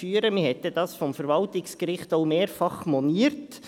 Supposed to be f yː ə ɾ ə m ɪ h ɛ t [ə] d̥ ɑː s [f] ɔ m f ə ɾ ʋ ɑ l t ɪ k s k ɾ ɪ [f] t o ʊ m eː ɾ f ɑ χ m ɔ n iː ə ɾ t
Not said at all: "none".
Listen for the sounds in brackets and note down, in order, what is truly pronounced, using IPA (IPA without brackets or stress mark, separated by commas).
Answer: ə, f, χ